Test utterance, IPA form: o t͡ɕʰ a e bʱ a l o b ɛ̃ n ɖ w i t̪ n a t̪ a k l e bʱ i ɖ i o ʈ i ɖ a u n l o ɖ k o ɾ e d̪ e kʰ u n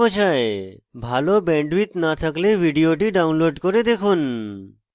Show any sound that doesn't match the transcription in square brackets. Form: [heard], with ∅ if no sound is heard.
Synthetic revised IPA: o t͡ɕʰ a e bʱ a l o b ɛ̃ [ɳ] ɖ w i t̪ n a [t̪ʰ] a k l e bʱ i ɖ i o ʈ i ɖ a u n l o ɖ k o ɾ e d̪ e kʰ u n

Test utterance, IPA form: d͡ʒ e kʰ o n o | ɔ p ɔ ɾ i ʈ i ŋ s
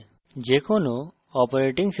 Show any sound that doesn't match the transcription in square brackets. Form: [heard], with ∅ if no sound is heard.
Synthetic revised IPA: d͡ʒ e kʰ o n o | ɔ p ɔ ɾ [e] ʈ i ŋ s

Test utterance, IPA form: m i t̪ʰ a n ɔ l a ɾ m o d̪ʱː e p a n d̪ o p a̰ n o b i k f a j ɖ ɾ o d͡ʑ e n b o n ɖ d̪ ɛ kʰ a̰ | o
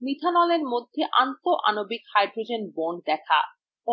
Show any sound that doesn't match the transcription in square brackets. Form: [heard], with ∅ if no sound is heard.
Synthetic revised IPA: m i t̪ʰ a n ɔ l [e] ɾ m o d̪ʱː e [ʔ] a n [t̪] o [ʔ] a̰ n o b i k [h] a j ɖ ɾ o d͡ʑ e n b o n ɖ d̪ ɛ kʰ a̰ | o

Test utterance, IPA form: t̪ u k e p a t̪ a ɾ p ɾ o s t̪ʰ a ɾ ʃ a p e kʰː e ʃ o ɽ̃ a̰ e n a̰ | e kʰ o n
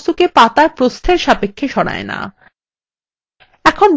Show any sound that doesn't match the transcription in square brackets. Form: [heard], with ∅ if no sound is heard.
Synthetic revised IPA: t̪ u k e p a t̪ a ɾ p ɾ o s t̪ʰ [e] ɾ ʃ a p e kʰː e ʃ [ɔ] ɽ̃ a̰ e n a̰ | [ɛ] kʰ o n

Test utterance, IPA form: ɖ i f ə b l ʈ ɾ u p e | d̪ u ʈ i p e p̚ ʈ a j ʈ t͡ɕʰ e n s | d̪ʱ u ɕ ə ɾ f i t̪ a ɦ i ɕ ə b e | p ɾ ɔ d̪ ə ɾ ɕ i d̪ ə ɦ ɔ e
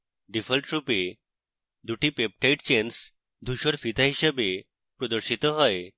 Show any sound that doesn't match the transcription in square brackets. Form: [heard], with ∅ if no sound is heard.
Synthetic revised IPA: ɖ i f ə [∅] l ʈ ɾ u p e | d̪ u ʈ i p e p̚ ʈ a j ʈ [t͡ɕ] e n s | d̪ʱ u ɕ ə ɾ f i t̪ a ɦ i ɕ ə b e | p ɾ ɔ d̪ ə ɾ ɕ i [t̪] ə ɦ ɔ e

